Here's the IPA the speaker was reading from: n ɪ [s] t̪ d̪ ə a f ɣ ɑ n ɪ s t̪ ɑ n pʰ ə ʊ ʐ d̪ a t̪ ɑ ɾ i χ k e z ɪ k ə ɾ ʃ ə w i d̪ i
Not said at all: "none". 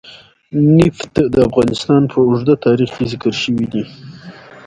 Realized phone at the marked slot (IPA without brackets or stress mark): f